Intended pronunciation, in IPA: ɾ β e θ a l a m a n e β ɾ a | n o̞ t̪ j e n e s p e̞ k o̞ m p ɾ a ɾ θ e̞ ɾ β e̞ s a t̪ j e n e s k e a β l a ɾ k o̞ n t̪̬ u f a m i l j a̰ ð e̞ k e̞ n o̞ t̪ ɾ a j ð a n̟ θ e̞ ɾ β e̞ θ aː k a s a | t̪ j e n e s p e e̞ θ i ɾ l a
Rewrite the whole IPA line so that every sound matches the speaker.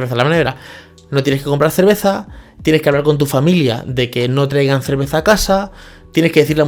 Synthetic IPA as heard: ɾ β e θ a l a m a n e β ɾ a | n o̞ t̪ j e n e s k e̞ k o̞ m p ɾ a ɾ θ e̞ ɾ β e̞ θ a t̪ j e n e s k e a β l a ɾ k o̞ n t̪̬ u f a m i l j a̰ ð e̞ k e̞ n o̞ t̪ ɾ a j ɣ a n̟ θ e̞ ɾ β e̞ θ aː k a s a | t̪ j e n e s k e e̞ θ i ɾ l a